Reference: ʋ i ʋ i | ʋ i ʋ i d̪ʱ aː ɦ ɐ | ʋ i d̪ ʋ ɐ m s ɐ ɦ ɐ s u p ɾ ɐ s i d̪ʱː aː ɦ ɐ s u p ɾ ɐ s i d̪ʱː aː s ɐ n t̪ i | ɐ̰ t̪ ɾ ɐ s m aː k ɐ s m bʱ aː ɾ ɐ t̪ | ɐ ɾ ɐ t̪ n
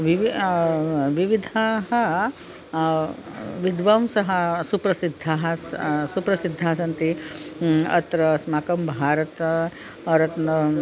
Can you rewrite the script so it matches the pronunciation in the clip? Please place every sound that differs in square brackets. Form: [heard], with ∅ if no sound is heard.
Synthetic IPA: ʋ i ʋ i | ʋ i ʋ i d̪ʱ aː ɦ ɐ | ʋ i d̪ ʋ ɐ m s ɐ ɦ ɐ s u p ɾ ɐ s i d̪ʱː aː ɦ ɐ s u p ɾ ɐ s i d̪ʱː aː s ɐ n t̪ i | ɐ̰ t̪ ɾ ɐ s m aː k ɐ [∅] m bʱ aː ɾ ɐ t̪ | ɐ ɾ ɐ t̪ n

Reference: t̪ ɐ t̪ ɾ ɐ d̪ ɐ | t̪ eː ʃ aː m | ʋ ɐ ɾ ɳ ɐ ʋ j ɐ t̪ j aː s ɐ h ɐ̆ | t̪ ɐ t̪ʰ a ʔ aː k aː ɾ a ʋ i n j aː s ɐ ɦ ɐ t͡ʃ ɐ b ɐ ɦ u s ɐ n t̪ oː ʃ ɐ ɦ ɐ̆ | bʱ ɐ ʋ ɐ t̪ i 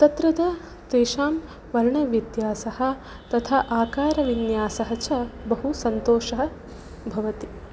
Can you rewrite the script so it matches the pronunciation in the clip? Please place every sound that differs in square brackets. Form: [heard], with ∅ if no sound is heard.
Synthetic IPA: t̪ ɐ t̪ ɾ ɐ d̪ ɐ | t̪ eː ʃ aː m | ʋ ɐ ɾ ɳ ɐ ʋ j ɐ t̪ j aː s ɐ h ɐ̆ | t̪ ɐ t̪ʰ a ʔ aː k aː ɾ [ɐ] ʋ i n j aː s ɐ ɦ ɐ t͡ʃ ɐ b ɐ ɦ u s ɐ n t̪ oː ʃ ɐ ɦ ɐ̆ | bʱ ɐ ʋ ɐ t̪ i

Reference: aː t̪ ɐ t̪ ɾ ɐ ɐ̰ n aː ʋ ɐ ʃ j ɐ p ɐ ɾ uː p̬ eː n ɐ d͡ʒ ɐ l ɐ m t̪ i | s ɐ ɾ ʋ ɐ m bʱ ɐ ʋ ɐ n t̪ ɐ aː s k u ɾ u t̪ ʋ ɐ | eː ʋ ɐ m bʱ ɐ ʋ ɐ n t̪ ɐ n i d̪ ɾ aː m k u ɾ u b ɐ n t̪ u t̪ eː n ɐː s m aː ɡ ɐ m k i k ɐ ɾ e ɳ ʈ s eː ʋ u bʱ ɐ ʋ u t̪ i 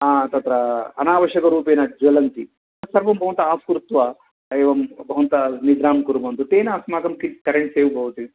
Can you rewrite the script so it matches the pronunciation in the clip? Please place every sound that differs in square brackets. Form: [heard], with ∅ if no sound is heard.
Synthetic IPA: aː t̪ ɐ t̪ ɾ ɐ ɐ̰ n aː ʋ ɐ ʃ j ɐ [k] ɐ ɾ uː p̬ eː n ɐ d͡ʒ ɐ l ɐ [n] t̪ i | s ɐ ɾ ʋ ɐ m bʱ ɐ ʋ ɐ n t̪ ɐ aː s k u ɾ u t̪ ʋ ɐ | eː ʋ ɐ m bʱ ɐ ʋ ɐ n t̪ ɐ n i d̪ ɾ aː m k u ɾ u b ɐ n t̪ u t̪ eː n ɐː s m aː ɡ ɐ m k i k ɐ ɾ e ɳ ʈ s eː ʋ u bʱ ɐ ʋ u t̪ i

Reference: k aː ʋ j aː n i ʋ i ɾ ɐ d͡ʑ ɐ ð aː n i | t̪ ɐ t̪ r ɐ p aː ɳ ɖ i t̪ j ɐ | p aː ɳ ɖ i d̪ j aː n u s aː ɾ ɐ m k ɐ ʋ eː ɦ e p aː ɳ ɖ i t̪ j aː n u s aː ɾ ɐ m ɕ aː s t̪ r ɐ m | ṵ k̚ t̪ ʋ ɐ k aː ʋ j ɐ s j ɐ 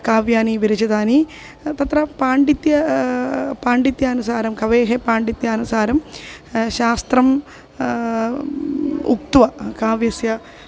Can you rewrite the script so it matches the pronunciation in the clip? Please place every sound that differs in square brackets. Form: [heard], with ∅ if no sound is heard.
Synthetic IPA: k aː ʋ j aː n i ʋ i ɾ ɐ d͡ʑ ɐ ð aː n i | t̪ ɐ t̪ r ɐ p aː ɳ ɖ i t̪ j ɐ | p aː ɳ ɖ i [t̪] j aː n u s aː ɾ ɐ m k ɐ ʋ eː ɦ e p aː ɳ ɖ i t̪ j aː n u s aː ɾ ɐ m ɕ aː s t̪ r ɐ m | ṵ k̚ t̪ ʋ ɐ k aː ʋ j ɐ s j ɐ

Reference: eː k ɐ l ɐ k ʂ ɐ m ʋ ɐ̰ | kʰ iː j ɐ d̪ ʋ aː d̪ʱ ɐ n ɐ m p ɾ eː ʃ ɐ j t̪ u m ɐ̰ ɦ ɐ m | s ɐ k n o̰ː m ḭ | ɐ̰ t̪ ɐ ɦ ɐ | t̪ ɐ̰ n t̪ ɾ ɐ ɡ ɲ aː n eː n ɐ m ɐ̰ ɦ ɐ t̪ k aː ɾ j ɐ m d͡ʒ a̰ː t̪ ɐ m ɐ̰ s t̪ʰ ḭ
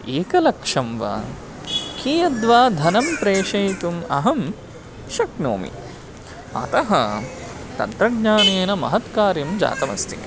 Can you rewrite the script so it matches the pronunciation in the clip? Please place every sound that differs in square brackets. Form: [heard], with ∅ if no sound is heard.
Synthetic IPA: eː k ɐ l ɐ k ʂ ɐ m ʋ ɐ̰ | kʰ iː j ɐ d̪ ʋ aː d̪ʱ ɐ n ɐ m p ɾ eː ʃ ɐ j t̪ u m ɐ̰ ɦ ɐ m | [ʃ] ɐ k n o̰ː m ḭ | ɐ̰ t̪ ɐ ɦ ɐ | t̪ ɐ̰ n t̪ ɾ ɐ ɡ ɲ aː n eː n ɐ m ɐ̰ ɦ ɐ t̪ k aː ɾ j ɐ m d͡ʒ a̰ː t̪ ɐ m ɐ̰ s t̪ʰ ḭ

